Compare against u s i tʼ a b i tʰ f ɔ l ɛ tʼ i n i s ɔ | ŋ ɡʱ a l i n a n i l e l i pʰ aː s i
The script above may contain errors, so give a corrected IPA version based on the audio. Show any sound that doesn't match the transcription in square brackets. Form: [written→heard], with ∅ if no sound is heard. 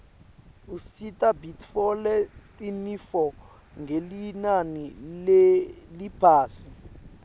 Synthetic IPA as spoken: u s i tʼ a b i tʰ f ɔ l ɛ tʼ i n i [s→f] ɔ | ŋ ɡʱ [a→e] l i n a n i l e l i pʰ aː s i